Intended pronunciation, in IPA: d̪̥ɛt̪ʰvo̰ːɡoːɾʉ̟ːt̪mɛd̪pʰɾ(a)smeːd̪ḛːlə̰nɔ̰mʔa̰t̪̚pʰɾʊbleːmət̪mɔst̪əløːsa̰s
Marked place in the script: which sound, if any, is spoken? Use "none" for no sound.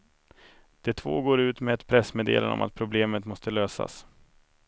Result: ɛ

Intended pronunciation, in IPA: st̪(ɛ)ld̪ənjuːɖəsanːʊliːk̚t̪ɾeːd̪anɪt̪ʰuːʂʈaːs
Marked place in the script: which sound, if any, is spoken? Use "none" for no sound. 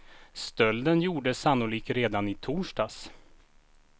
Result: œ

